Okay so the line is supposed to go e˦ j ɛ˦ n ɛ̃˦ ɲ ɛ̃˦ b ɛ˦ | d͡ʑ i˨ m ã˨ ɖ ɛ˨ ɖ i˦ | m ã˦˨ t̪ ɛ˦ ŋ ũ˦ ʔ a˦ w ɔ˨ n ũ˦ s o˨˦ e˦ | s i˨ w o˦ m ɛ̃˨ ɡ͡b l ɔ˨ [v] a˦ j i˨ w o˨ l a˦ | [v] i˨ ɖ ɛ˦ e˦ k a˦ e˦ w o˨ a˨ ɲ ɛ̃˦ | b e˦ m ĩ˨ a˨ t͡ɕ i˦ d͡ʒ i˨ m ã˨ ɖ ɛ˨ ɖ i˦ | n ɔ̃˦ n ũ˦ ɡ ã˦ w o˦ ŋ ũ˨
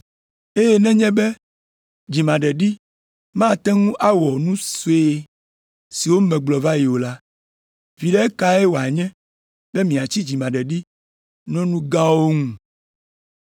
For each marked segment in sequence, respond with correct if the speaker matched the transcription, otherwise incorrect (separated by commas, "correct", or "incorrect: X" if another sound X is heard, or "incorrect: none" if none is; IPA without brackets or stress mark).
correct, correct